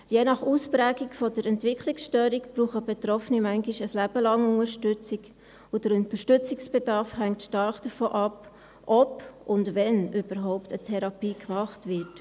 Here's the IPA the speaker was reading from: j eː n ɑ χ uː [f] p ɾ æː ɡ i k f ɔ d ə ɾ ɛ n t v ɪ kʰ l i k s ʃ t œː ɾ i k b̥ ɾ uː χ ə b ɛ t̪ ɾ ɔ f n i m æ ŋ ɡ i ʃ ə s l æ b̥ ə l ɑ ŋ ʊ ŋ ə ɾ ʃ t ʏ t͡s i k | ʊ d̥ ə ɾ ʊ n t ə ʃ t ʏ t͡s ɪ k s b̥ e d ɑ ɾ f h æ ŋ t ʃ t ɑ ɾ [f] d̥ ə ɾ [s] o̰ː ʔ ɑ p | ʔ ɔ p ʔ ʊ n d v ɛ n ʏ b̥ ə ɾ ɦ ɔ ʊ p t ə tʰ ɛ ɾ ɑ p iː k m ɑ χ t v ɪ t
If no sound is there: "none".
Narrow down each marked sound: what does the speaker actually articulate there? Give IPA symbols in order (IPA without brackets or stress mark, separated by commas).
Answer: s, χ, f